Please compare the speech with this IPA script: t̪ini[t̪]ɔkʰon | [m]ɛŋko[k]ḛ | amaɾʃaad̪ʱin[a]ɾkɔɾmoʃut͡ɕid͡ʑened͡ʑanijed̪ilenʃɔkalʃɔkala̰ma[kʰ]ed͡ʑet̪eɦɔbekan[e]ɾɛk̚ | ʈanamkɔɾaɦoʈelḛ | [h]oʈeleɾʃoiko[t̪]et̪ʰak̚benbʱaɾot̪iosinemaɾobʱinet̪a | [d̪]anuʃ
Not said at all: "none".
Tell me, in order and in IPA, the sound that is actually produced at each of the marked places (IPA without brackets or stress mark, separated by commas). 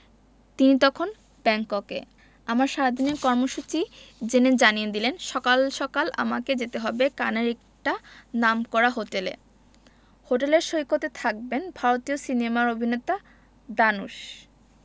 t̪, b, k, e, k, e, h, t̪, d̪